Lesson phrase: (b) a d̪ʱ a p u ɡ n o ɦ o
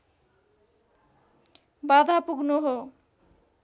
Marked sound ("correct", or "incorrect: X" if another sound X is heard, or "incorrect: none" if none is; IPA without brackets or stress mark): correct